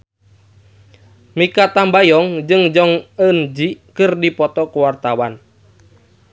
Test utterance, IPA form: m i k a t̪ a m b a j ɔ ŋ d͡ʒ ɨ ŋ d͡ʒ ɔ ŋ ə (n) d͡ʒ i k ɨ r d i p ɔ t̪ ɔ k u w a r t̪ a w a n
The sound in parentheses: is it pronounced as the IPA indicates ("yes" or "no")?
yes